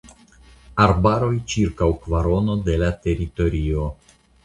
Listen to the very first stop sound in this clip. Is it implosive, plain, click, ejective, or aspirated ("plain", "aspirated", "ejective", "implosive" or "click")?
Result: plain